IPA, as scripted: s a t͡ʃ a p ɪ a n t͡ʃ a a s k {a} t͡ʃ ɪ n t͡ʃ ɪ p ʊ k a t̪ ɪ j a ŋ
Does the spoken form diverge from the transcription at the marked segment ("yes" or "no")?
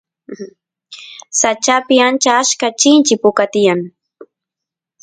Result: no